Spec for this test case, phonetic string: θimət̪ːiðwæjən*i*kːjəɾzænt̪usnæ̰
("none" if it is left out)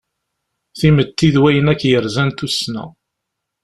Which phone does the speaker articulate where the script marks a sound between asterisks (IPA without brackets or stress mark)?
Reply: æ